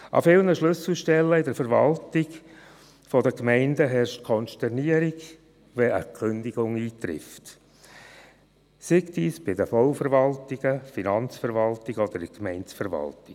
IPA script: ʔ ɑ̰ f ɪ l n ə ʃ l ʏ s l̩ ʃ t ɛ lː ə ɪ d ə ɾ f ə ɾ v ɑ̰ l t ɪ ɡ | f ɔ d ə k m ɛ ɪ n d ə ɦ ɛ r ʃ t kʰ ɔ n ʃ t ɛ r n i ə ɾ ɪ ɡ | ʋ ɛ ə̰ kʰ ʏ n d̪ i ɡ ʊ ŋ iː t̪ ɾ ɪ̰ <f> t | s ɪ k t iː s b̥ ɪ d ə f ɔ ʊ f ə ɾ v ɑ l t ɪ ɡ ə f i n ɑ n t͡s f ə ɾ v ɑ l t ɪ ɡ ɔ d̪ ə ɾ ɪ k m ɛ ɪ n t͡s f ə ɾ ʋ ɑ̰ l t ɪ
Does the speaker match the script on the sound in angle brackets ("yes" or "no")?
yes